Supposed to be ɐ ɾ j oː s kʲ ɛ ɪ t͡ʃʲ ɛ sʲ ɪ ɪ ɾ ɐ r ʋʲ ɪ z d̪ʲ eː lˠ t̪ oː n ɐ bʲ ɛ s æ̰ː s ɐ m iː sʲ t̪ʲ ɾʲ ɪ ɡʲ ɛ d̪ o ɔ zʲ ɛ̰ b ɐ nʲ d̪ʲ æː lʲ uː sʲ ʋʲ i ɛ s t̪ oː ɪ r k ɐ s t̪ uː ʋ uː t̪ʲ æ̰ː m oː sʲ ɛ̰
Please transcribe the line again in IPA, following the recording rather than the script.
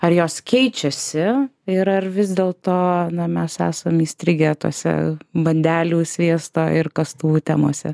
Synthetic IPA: ɐ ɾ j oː s kʲ ɛ ɪ t͡ʃʲ ɛ sʲ ɪ ɪ ɾ ɐ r ʋʲ ɪ z d̪ʲ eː lˠ t̪ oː n ɐ mʲ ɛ s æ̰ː s ɐ m iː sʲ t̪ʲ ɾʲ ɪ ɡʲ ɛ t̪ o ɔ sʲ ɛ̰ b ɐ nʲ d̪ʲ æː lʲ uː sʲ ʋʲ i ɛ s t̪ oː ɪ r k ɐ s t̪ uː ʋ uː t̪ʲ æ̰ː m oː sʲ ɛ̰